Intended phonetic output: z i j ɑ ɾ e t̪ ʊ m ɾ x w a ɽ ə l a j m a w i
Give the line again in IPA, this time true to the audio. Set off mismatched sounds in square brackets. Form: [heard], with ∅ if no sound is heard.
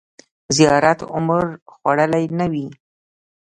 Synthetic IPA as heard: z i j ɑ ɾ [a] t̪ ʊ m ɾ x w a ɽ ə l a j [n] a w i

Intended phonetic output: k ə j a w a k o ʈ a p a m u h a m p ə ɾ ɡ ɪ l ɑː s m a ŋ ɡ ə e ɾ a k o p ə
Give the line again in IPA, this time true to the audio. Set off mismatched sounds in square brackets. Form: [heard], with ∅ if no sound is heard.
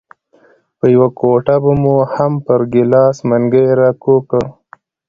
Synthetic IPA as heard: [p] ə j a w a k o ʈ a [b] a m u h a m p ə ɾ ɡ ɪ l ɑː s m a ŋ ɡ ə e ɾ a k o [k] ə

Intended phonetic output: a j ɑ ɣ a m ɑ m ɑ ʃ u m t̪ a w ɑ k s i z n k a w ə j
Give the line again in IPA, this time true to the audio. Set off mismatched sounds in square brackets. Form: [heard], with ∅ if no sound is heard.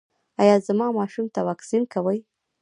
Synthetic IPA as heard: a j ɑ [z] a m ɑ m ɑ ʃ u m t̪ a w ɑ k s i [∅] n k a w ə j

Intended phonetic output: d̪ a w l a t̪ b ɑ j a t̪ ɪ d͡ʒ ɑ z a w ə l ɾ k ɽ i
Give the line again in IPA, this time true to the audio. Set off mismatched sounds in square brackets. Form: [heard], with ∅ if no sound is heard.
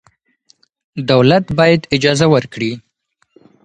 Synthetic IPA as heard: d̪ a w l a t̪ b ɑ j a [d̪] ɪ d͡ʒ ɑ z a w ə [∅] ɾ k ɽ i

